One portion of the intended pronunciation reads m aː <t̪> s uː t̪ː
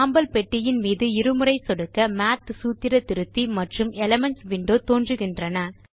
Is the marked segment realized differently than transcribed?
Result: no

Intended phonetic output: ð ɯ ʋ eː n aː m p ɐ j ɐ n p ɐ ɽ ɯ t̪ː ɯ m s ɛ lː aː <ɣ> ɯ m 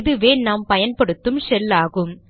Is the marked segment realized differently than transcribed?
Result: no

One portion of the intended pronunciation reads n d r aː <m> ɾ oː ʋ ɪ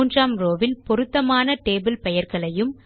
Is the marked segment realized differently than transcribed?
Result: no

